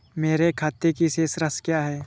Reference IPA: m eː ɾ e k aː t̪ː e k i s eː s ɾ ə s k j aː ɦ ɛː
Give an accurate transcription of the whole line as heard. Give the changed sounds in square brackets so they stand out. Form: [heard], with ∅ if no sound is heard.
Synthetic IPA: m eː ɾ e [kʰ] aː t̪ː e k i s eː s ɾ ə s k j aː ɦ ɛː